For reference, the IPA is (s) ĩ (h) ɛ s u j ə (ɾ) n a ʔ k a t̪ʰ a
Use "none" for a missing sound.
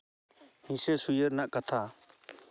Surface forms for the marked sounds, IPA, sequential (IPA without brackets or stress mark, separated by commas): h, s, ɾ